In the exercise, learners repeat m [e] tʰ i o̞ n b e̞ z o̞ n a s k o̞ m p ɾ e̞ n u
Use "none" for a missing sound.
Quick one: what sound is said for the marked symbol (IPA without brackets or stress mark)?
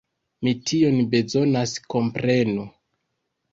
i